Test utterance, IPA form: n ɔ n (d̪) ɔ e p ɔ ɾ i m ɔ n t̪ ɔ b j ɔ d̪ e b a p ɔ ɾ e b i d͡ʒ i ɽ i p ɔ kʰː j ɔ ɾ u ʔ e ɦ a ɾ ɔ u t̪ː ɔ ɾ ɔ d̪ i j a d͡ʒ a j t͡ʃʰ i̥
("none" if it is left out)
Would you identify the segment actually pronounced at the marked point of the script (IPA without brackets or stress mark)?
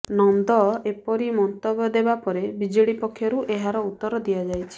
d̪